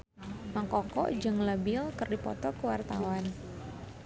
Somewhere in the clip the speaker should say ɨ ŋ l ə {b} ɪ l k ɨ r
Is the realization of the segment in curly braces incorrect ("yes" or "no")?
no